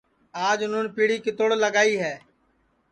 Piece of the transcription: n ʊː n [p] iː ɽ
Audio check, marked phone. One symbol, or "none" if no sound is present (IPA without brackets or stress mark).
p